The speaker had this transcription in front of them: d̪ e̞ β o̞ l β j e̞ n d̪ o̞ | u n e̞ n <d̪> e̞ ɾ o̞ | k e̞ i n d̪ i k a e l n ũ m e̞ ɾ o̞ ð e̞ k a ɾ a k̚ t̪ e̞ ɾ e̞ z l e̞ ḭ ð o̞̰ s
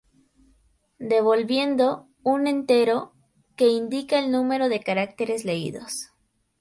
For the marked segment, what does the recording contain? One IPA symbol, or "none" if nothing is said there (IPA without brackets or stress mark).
t̪